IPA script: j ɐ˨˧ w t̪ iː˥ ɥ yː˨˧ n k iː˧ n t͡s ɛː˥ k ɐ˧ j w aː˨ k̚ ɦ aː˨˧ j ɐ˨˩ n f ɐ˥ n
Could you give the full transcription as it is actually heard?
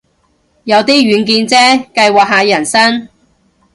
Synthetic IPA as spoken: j ɐ˨˧ w t̪ iː˥ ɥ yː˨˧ n k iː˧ n t͡s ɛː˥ k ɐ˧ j w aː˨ k̚ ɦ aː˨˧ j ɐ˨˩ n s ɐ˥ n